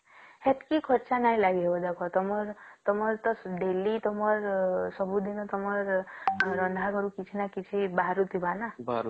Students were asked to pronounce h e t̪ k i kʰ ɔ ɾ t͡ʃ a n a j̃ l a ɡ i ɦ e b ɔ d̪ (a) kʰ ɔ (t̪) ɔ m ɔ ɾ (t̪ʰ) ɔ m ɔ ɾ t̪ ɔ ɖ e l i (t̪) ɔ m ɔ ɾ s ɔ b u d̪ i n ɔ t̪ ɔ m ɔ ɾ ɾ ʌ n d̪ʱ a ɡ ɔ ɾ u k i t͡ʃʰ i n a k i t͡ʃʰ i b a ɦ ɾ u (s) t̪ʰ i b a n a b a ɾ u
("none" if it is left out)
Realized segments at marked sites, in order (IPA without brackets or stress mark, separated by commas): a, t̪, t̪, t̪, none